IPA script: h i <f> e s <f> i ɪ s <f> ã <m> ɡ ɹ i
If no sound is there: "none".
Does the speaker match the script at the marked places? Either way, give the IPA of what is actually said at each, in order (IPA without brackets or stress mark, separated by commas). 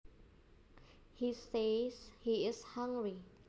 s, h, h, ŋ